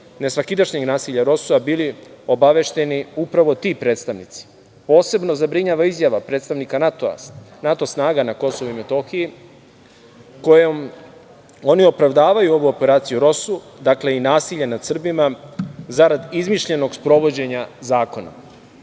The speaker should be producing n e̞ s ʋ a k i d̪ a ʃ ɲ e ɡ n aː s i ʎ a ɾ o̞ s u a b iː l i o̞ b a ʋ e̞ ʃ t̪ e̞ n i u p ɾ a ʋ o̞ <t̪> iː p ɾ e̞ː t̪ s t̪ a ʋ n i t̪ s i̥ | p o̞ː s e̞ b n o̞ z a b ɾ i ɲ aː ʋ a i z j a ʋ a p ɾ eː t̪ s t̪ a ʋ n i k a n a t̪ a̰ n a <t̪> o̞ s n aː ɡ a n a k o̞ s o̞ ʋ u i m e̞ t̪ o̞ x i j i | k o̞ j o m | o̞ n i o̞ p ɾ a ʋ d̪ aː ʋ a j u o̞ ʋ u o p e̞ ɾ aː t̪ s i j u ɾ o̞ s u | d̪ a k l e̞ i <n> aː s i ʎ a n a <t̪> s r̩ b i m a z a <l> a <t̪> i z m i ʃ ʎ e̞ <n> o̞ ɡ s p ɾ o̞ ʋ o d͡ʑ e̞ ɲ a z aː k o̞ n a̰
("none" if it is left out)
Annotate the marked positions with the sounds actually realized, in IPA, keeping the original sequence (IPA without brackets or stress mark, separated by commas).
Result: t̪, t̪, n, d̪, ɾ, d̪, n